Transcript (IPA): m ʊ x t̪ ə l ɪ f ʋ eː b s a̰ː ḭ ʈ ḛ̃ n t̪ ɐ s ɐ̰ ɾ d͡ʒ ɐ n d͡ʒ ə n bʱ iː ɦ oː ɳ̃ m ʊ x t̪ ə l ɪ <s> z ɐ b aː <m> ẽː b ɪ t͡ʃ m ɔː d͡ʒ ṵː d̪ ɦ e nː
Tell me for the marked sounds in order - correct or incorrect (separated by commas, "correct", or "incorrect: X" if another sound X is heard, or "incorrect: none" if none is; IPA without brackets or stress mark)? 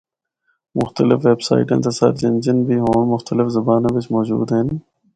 incorrect: f, incorrect: n